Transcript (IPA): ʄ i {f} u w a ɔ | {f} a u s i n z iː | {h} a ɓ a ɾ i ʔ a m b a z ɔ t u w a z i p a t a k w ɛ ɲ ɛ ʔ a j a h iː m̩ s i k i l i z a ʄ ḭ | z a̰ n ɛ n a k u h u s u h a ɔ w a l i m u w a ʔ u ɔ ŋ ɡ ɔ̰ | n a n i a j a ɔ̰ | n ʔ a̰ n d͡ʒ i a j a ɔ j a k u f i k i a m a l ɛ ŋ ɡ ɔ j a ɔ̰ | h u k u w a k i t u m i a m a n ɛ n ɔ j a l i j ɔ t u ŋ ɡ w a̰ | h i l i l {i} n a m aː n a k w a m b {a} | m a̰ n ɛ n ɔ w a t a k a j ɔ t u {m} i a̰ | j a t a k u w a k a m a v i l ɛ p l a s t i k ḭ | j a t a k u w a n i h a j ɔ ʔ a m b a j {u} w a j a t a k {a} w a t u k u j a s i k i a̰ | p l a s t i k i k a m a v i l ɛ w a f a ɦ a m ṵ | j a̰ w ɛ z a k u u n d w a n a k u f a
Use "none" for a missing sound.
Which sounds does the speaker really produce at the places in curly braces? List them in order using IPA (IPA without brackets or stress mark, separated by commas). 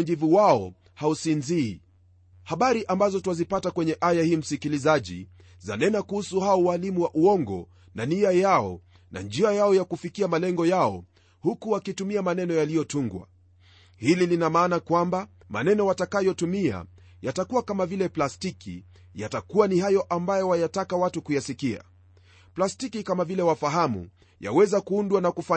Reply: v, h, h, i, a, m, ɔ, a